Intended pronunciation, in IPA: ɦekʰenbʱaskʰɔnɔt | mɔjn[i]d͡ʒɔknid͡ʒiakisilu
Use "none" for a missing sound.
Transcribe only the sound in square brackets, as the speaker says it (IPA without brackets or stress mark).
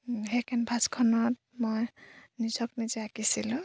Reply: i